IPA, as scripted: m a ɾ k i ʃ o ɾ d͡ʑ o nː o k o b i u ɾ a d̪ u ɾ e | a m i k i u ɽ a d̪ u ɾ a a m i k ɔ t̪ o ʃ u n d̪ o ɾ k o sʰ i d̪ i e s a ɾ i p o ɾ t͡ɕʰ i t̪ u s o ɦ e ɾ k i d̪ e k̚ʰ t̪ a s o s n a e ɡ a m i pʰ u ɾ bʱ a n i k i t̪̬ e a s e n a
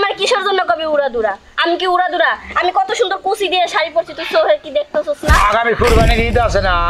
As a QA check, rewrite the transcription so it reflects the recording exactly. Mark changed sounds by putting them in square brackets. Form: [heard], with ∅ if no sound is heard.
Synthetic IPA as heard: m a ɾ k i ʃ o ɾ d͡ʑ o nː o k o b i u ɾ a d̪ u ɾ [a] | a m i k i u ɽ a d̪ u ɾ a a m i k ɔ t̪ o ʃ u n d̪ o ɾ k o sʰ i d̪ i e [ʃ] a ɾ i p o ɾ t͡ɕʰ i t̪ u s o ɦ e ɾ k i d̪ e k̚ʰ t̪ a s o s n a [a] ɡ a m i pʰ u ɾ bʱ a n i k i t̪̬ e a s e n a